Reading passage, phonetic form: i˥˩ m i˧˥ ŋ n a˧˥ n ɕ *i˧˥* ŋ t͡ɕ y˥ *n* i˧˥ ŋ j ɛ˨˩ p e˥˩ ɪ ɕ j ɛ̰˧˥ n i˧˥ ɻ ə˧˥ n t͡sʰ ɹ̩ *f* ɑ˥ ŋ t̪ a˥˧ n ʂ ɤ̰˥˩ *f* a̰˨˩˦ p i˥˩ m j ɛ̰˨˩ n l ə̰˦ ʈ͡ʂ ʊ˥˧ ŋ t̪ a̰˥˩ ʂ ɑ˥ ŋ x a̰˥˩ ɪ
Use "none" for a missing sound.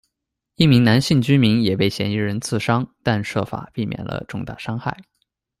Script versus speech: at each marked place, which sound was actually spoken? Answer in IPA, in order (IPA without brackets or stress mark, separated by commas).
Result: i˥˩, m, ʂ, f